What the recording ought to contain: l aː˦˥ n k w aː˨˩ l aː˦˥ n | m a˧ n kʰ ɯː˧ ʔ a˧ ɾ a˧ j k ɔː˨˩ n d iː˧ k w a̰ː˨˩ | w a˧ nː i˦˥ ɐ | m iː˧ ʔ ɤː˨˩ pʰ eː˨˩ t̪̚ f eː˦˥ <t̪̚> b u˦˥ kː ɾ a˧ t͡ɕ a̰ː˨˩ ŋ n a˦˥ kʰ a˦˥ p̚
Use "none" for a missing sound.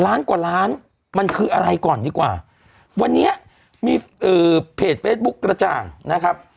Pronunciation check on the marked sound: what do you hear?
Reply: t̪̚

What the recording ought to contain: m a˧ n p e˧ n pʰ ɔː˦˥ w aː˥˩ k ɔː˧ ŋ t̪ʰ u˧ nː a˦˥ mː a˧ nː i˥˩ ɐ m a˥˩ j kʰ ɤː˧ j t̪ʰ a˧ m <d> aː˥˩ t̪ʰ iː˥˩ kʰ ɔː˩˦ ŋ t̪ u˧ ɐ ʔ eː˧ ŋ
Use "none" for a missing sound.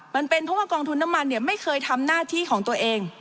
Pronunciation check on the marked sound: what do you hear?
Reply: n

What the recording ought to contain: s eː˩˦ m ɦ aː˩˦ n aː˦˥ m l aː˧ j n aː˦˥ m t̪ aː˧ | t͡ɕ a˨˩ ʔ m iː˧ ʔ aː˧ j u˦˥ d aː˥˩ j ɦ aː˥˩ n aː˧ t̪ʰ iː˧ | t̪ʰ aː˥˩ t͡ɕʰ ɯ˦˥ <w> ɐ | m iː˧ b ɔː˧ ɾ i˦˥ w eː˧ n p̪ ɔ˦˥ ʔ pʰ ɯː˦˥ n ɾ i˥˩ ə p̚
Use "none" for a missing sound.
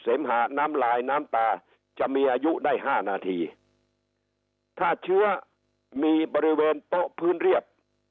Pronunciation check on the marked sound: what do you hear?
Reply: none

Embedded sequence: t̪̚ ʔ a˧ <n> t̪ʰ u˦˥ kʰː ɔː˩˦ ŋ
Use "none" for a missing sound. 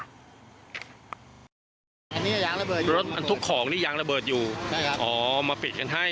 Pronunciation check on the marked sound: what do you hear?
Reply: n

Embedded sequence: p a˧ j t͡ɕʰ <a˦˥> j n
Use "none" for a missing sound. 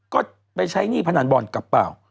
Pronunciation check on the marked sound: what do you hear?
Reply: a˦˥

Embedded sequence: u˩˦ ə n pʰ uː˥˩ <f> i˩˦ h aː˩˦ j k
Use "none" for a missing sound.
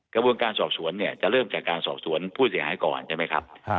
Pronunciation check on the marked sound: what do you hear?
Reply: s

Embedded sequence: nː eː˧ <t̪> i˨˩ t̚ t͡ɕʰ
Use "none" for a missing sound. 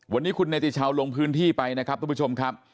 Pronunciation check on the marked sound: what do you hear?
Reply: t̪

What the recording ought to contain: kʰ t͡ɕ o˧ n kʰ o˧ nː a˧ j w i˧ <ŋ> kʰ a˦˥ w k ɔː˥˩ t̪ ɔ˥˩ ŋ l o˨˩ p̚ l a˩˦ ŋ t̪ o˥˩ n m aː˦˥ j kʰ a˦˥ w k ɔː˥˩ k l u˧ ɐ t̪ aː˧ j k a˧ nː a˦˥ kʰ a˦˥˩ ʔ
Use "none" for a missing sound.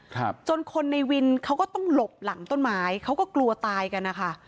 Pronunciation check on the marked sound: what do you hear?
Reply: n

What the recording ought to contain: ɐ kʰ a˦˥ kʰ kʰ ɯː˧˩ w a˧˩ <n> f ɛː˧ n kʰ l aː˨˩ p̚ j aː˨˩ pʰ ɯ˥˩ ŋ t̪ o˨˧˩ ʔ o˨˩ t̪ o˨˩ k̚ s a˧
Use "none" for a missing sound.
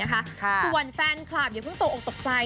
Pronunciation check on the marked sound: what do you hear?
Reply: n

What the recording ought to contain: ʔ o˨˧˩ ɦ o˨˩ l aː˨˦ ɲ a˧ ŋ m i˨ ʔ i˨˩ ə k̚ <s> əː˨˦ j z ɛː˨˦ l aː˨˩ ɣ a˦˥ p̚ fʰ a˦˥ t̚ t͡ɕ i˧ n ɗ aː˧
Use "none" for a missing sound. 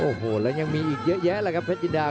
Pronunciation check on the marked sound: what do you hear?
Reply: z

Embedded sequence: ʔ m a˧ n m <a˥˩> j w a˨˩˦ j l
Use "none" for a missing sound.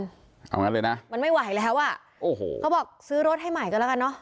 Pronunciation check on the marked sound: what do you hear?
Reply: a˥˩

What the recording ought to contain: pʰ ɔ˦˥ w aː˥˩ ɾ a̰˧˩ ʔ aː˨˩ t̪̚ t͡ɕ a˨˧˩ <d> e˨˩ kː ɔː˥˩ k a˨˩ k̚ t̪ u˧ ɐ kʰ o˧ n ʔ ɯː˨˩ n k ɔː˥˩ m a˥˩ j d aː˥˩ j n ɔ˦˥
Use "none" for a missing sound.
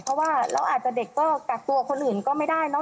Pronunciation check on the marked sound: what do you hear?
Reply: d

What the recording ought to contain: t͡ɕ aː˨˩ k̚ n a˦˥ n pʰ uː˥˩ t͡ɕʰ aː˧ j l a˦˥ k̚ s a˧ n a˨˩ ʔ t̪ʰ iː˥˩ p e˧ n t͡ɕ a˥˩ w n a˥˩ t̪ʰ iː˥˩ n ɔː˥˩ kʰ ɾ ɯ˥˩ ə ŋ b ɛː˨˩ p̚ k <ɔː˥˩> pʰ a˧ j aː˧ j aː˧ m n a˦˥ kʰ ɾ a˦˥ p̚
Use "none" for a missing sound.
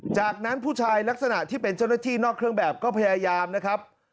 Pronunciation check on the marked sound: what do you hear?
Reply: ɔː˥˩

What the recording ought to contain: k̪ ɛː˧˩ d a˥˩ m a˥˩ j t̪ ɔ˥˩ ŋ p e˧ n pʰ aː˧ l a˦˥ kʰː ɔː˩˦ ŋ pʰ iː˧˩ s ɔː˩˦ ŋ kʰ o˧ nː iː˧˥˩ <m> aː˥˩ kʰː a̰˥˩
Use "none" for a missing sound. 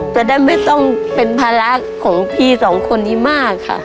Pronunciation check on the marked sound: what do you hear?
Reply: m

